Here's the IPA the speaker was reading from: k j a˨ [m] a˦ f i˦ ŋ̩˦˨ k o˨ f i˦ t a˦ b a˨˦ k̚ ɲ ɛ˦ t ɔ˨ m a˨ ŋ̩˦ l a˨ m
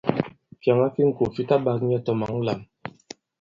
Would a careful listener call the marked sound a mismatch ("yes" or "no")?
yes